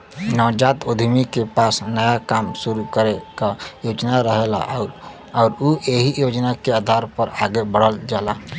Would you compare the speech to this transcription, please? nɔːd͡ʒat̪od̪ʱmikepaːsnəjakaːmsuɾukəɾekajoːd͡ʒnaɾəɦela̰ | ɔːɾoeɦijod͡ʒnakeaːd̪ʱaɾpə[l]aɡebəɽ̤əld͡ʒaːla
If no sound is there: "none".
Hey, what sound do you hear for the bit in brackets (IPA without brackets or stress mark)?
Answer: ɾ